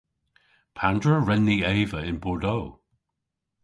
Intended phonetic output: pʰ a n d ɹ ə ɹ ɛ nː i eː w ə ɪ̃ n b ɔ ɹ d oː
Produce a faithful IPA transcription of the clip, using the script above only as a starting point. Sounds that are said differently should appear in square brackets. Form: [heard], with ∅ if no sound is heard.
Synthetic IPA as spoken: pʰ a n d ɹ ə ɹ ɛ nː i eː [v] ə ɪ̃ n b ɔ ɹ d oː